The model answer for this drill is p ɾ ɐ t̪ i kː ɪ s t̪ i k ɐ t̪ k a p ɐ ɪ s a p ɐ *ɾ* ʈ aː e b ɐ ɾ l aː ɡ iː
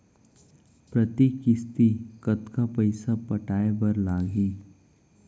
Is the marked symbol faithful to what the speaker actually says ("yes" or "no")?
no